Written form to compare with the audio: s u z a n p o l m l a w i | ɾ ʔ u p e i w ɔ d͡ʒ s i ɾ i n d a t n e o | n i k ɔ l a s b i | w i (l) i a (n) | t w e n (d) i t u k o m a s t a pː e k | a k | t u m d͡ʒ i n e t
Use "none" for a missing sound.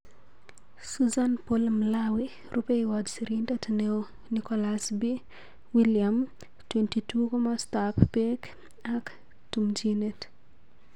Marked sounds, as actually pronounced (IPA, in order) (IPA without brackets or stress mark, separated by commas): l, m, t